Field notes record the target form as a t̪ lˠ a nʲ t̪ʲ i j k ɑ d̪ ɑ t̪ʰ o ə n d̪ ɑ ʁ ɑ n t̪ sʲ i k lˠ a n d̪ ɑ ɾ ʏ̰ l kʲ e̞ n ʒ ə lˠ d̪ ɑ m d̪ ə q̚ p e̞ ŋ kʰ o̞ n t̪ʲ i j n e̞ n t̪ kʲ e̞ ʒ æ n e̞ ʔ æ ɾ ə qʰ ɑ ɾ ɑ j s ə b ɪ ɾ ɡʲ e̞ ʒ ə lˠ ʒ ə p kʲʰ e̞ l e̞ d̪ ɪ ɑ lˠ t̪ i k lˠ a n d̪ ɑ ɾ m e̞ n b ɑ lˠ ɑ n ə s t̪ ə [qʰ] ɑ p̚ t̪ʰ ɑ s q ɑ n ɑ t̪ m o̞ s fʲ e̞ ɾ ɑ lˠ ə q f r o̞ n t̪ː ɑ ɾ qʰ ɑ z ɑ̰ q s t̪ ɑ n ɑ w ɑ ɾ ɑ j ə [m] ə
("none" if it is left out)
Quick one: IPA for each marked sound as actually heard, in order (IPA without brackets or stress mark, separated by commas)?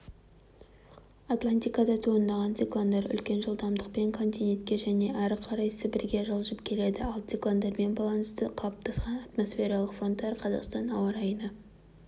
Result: qʰ, n